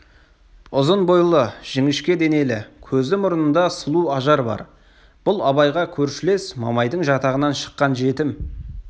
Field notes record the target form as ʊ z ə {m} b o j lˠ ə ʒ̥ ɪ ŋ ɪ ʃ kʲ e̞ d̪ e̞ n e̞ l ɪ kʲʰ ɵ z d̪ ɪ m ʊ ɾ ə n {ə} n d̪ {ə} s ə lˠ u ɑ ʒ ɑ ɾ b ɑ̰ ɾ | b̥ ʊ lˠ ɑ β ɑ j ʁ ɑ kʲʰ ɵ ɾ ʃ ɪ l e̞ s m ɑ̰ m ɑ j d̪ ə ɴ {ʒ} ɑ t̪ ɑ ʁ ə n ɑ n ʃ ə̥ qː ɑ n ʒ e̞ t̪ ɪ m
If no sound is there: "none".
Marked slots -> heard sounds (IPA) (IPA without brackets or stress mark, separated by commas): n, ə, ɑ, ʒ